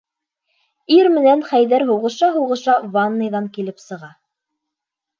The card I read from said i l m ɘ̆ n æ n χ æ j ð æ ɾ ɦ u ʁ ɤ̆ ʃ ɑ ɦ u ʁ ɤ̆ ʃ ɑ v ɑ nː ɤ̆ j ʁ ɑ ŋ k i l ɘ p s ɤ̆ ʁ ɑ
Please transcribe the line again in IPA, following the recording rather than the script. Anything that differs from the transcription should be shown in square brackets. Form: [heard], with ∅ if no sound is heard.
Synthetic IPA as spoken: i [ɾ] m ɘ̆ n æ n χ æ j ð æ ɾ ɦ u ʁ ɤ̆ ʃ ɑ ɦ u ʁ ɤ̆ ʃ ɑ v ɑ nː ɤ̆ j [ð] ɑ ŋ k i l ɘ p s ɤ̆ ʁ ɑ

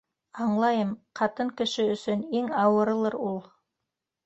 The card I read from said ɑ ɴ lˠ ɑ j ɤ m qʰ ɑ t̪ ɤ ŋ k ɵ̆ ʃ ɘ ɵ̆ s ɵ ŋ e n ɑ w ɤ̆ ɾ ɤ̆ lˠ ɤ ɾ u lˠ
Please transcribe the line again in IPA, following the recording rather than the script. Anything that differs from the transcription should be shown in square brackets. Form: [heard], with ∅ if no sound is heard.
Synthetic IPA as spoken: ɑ ɴ lˠ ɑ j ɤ m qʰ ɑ t̪ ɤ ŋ k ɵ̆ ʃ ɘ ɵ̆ s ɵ [n] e [ŋ] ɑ w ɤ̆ ɾ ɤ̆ lˠ ɤ ɾ u lˠ

